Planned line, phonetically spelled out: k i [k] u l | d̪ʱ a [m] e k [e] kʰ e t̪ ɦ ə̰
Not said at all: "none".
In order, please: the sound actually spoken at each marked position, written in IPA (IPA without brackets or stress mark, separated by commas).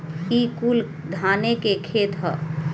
k, n, e